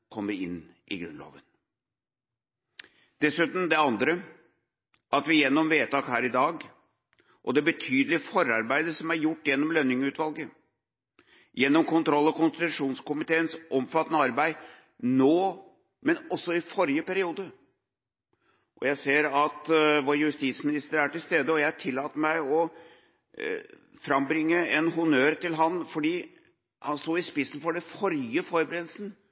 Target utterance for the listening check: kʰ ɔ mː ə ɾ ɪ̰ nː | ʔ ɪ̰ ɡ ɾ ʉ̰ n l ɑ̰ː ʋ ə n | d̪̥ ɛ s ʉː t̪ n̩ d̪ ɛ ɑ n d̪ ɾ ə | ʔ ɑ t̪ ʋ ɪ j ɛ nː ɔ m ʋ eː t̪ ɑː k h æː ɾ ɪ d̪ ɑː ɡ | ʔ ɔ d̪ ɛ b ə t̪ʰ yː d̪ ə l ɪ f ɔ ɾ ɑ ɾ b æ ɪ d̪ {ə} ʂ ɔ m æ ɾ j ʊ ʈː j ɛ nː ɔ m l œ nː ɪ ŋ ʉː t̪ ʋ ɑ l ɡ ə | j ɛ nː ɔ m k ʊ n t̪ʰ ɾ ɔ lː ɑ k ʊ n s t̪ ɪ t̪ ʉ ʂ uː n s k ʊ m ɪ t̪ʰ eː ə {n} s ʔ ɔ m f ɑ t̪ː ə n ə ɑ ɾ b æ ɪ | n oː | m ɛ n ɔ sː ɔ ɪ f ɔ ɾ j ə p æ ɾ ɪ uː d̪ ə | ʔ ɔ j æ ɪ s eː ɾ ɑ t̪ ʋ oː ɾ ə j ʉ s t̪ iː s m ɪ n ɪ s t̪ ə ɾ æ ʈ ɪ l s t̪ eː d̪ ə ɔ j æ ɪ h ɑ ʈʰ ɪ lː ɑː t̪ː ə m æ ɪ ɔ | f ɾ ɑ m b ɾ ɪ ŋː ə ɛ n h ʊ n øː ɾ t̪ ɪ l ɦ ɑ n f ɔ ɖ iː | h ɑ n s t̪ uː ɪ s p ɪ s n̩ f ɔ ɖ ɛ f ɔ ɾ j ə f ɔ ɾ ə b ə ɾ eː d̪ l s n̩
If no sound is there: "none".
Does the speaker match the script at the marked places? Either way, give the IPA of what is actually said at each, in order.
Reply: ə, n

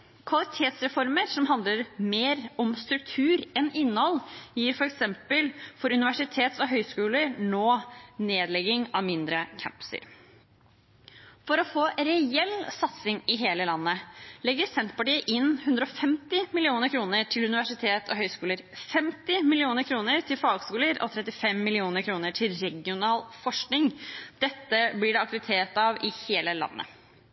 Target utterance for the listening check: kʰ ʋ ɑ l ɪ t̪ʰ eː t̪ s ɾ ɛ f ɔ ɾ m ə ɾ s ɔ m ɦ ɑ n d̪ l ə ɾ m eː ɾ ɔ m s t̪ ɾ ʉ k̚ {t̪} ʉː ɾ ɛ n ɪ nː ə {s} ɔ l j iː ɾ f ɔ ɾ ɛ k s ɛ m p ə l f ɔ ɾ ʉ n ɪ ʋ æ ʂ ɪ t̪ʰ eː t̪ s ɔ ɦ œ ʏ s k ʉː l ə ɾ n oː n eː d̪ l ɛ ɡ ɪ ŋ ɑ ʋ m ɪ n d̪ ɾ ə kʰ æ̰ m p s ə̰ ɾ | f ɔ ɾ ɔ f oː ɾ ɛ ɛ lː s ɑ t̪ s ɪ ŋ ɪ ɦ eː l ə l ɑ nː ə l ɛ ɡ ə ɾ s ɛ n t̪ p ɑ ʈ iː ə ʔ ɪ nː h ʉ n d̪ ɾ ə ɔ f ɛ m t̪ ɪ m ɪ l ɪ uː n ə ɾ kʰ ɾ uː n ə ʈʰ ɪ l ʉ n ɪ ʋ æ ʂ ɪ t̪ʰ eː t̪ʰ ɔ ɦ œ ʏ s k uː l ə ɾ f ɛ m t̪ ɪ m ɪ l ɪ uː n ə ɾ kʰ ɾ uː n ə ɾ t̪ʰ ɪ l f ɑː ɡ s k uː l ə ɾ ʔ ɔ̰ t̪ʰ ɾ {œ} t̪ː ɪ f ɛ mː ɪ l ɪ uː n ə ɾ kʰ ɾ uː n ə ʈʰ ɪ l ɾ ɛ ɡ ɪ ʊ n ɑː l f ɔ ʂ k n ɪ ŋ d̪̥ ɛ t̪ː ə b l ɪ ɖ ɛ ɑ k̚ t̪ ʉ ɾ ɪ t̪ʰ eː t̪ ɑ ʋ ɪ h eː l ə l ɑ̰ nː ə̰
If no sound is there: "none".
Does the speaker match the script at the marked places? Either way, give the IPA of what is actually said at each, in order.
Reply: t̪ʰ, h, ɛ

